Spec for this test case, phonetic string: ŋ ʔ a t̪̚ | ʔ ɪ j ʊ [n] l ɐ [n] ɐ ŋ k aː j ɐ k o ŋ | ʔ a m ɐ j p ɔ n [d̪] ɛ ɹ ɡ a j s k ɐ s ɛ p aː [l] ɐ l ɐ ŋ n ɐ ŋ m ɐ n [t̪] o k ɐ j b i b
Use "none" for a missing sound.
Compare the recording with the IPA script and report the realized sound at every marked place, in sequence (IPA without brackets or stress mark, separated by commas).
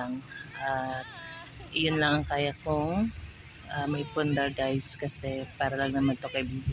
n, ŋ, d̪, ɾ, t̪